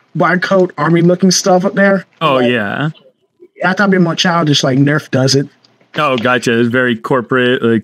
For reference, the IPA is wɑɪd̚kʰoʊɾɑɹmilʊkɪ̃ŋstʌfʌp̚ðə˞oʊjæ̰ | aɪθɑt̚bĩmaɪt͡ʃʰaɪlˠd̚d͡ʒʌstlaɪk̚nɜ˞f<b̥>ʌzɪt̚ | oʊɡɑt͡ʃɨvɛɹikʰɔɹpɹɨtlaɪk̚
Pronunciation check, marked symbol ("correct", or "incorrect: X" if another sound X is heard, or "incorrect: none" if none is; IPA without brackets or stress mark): incorrect: d̥